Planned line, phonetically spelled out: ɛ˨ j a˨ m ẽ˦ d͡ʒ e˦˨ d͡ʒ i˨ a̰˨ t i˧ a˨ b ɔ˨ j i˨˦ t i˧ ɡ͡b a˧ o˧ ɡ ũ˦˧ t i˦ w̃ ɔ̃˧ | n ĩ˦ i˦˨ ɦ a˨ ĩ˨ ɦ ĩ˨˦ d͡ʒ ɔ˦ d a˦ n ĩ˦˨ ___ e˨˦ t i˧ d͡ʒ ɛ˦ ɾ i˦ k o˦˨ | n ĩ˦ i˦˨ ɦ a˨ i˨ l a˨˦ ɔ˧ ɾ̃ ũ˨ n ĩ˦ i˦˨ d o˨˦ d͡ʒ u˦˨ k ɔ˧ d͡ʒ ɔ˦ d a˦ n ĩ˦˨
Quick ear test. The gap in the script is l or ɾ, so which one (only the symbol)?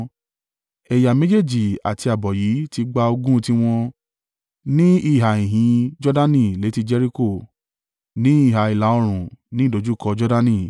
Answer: l